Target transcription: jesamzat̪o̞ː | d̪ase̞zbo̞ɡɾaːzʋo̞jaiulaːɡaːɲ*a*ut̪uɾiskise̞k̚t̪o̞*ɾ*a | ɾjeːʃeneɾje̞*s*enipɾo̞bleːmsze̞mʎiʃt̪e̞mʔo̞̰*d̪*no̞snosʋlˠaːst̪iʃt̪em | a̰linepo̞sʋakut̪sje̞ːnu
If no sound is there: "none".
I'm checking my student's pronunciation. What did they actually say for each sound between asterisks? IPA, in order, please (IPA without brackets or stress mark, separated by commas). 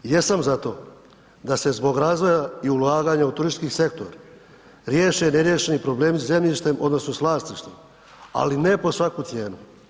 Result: a, ɾ, ʃ, d̪